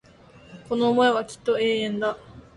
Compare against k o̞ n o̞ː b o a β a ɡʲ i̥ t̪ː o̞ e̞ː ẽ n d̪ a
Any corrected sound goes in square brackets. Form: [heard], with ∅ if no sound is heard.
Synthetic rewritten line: k o̞ n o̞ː [m] o [e] β a [kʲ] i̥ t̪ː o̞ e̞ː ẽ n d̪ a